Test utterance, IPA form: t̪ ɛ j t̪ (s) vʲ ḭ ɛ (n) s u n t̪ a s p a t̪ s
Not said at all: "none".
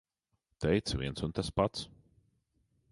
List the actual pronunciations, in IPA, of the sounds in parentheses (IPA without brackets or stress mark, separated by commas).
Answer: s, n